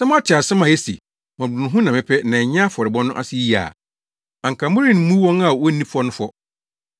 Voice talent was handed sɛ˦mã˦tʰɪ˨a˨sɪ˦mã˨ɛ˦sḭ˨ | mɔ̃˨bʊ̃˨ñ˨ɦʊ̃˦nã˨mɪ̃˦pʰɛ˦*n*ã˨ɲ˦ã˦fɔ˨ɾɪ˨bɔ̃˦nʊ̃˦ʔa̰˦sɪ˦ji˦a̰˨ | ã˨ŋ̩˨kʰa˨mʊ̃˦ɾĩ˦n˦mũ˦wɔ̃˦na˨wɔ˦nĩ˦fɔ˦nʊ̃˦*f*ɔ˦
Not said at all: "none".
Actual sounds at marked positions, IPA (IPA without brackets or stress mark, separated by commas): n, f